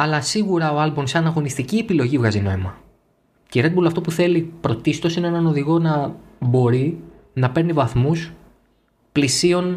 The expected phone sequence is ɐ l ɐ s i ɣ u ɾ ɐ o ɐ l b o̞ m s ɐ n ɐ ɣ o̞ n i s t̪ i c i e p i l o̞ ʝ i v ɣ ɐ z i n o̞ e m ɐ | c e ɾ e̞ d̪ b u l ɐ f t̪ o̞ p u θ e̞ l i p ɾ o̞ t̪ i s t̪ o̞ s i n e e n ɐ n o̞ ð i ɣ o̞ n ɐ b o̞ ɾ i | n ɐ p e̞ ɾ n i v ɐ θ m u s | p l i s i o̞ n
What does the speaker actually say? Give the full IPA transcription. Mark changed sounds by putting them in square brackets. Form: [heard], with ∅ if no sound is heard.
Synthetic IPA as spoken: ɐ l ɐ s i ɣ u ɾ ɐ o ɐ l b o̞ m s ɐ n ɐ ɣ o̞ n i s t̪ i c i e p i l o̞ ʝ i v ɣ ɐ z i n o̞ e m ɐ | c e ɾ e̞ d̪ b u l ɐ f t̪ o̞ p u θ e̞ l i p ɾ o̞ t̪ i s t̪ o̞ s i n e e n ɐ n o̞ ð i ɣ o̞ n ɐ b o̞ ɾ i | n ɐ p e̞ ɾ n i v ɐ θ m u s | p l i s i o̞ n